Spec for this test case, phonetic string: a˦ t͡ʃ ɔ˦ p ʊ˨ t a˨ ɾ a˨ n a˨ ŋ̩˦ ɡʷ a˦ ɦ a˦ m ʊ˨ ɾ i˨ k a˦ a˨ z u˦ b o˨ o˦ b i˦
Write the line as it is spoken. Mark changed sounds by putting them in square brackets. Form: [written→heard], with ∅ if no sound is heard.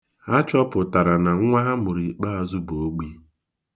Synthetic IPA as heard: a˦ t͡ʃ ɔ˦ p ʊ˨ t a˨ ɾ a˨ n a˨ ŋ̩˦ [ɡʷ→ŋʷ] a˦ ɦ a˦ m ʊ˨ ɾ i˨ [k→k͡p] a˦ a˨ z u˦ b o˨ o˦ [b→ɡ͡b] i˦